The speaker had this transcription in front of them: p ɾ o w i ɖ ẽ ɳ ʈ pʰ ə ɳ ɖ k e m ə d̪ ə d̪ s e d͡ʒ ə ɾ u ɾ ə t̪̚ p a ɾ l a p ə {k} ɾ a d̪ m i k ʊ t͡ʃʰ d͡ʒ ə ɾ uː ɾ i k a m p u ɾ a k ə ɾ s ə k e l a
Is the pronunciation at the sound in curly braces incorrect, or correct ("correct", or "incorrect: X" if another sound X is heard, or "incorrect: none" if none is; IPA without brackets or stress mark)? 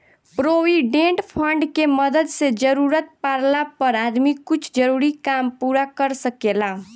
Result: incorrect: none